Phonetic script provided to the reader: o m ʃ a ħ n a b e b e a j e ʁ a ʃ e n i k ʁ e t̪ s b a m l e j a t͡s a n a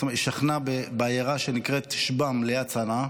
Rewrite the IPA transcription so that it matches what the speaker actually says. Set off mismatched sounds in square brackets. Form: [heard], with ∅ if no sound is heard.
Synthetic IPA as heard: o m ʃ a [χ] n a b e b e a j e ʁ a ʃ e n i k ʁ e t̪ [ʃ] b a m l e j a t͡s a n a